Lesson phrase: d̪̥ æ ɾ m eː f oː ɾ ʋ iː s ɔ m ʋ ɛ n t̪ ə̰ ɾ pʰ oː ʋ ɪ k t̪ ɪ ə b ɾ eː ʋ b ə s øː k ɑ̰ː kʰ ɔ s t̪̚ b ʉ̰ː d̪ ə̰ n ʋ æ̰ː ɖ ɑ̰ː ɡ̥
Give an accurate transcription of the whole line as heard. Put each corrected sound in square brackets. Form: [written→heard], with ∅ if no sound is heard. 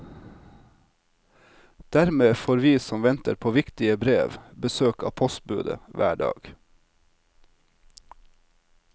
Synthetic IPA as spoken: d̪̥ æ ɾ m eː f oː ɾ ʋ iː s ɔ m ʋ ɛ n t̪ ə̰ ɾ pʰ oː ʋ ɪ k t̪ ɪ ə b ɾ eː ʋ b ə s øː k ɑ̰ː [kʰ→pʰ] ɔ s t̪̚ b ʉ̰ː d̪ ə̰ [n→∅] ʋ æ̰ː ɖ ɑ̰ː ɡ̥